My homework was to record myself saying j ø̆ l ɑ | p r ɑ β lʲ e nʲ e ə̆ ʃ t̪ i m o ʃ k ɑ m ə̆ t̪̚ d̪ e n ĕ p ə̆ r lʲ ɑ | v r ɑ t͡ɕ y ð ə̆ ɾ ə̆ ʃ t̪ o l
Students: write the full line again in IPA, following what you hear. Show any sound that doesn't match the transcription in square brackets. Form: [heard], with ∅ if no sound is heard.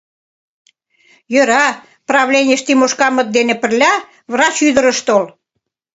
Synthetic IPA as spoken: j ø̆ [ɾ] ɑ | p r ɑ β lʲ e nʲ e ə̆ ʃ t̪ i m o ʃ k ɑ m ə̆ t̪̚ d̪ e n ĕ p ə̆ r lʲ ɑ | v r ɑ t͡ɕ y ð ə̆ ɾ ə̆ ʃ t̪ o l